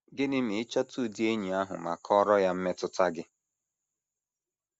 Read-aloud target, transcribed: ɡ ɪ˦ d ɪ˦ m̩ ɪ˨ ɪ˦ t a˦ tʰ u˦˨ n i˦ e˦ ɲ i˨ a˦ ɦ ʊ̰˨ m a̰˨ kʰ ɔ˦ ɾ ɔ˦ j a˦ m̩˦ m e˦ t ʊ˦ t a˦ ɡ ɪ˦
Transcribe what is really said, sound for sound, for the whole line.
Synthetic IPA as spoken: ɡ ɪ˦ n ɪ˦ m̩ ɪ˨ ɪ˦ t͡ʃ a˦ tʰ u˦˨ d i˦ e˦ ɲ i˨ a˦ ɦ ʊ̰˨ m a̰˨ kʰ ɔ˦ ɾ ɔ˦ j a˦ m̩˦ m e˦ t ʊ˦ t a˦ ɡ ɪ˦

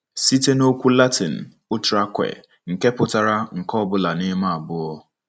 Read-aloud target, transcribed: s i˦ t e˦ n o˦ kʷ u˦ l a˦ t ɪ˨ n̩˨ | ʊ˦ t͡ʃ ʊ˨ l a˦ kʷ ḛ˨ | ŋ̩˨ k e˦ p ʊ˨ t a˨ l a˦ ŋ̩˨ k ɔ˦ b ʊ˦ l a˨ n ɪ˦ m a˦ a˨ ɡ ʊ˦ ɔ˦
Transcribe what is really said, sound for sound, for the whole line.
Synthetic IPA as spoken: s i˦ t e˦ n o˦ kʷ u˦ l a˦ t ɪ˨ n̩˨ | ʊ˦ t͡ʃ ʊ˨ ɾ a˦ kʷ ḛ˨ | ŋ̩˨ k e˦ p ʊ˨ t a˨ ɾ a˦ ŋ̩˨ k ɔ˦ b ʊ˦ l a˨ n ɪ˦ m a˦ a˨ b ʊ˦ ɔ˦

